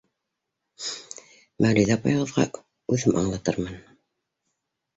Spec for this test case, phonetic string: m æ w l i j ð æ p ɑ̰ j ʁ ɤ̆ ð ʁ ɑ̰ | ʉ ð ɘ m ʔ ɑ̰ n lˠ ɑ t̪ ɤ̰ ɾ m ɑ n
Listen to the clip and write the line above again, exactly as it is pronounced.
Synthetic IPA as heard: m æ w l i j ð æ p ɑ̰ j ʁ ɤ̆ ð ʁ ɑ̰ | ʉ ð ɘ m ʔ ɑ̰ ɴ lˠ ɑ t̪ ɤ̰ ɾ m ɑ n